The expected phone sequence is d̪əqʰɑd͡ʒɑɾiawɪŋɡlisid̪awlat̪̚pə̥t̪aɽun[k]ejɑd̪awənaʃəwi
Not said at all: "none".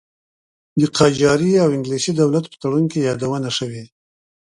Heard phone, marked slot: k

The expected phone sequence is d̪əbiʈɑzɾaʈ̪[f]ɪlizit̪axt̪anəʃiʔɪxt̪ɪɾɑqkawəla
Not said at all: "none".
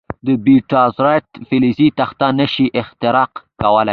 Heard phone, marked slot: f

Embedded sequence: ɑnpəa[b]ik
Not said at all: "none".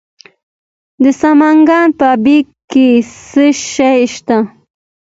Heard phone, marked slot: b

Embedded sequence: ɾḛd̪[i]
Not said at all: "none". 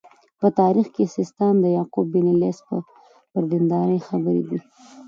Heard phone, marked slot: i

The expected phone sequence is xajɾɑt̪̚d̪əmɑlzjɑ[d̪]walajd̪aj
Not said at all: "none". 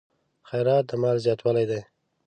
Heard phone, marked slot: t̪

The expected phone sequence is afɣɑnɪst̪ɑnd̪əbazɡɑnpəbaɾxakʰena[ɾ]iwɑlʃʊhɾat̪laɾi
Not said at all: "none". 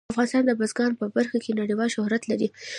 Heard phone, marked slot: ɽ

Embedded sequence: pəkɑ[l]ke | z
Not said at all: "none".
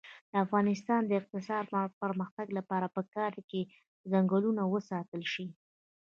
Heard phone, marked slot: ɾ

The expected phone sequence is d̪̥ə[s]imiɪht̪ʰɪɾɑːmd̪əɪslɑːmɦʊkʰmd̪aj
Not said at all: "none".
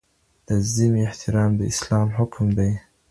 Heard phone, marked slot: z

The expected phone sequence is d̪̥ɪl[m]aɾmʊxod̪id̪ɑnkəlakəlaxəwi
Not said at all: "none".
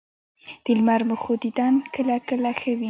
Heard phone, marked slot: m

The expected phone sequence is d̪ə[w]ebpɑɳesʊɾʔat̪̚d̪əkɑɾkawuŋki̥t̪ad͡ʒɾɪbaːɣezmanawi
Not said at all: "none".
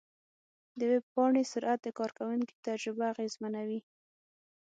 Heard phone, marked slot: w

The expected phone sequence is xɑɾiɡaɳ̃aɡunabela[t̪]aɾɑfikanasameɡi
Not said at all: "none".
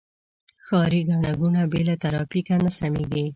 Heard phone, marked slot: t̪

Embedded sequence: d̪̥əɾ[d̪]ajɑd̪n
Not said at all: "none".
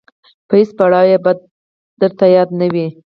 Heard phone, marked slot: t̪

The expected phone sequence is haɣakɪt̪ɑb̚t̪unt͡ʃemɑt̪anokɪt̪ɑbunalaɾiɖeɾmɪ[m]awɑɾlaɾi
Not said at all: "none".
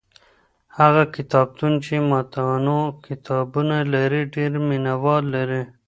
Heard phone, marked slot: n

